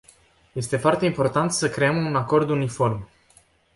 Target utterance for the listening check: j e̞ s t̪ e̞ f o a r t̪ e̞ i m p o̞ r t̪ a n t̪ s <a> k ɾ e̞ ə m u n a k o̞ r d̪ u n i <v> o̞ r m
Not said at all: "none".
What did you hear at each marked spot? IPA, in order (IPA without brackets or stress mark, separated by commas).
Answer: ə, f